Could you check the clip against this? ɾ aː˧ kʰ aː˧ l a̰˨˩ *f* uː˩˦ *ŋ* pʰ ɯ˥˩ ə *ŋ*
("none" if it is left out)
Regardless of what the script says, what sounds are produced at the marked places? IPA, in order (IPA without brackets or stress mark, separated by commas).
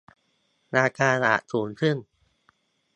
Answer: s, n, ŋ